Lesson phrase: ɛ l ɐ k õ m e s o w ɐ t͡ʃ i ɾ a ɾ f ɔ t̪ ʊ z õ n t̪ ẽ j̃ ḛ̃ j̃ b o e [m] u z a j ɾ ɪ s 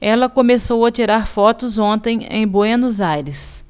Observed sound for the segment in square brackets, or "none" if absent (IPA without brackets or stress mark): n